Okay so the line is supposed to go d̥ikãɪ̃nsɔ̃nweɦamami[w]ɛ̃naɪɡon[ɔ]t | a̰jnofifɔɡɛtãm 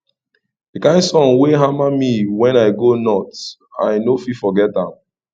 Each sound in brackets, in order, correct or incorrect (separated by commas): correct, correct